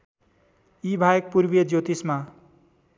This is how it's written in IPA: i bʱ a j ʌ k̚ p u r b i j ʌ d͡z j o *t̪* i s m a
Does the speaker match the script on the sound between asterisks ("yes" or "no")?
yes